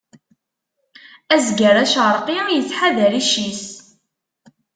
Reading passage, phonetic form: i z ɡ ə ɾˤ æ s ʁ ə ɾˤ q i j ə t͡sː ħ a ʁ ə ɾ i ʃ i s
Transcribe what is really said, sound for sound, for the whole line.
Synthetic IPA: æ z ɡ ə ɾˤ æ ʃ ʁ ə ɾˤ q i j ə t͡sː ħ a ð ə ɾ i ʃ i s